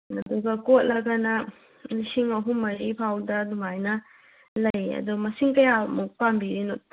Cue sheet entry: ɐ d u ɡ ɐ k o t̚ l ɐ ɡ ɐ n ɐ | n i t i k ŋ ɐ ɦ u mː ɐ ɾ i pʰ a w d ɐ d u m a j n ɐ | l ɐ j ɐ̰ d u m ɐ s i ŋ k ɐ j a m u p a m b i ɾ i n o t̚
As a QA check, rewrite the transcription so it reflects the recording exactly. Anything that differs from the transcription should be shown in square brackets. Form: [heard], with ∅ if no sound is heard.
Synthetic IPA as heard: ɐ d u ɡ ɐ k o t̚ l ɐ ɡ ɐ n ɐ | n i [s] i [∅] ŋ ɐ ɦ u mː ɐ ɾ i pʰ a w d ɐ d u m a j n ɐ | l ɐ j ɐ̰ d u m ɐ s i ŋ k ɐ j a m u p a m b i ɾ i n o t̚